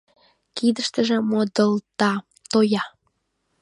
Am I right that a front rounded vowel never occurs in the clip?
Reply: yes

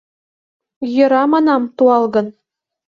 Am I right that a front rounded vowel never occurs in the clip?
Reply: yes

